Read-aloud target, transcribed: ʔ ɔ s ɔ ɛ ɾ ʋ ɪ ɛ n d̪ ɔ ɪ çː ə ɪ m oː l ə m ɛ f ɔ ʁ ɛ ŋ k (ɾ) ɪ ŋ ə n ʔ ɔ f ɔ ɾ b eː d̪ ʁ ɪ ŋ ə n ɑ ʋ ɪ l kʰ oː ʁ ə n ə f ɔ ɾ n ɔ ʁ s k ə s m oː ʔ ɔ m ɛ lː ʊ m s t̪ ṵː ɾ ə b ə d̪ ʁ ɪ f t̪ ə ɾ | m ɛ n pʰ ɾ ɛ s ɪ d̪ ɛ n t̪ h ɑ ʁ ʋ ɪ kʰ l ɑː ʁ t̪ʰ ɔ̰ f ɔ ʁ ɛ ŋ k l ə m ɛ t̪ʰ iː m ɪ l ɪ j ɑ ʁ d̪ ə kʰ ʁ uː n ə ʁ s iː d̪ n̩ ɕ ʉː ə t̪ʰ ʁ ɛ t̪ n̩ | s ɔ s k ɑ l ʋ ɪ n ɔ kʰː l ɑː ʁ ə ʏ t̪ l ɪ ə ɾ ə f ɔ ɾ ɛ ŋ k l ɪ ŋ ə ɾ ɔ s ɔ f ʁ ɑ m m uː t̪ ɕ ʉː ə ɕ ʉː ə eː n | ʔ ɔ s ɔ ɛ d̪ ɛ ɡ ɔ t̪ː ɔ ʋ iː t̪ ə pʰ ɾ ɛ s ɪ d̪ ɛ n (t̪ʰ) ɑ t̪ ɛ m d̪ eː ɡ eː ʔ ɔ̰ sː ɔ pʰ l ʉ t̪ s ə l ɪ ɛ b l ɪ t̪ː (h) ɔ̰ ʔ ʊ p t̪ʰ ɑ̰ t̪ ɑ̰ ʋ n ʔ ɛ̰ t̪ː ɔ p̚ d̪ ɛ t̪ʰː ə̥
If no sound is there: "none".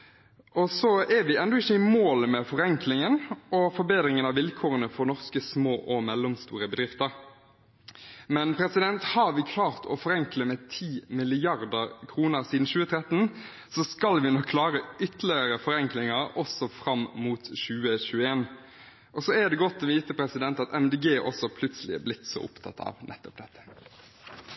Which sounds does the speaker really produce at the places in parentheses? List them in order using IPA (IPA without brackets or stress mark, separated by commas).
l, t̪, s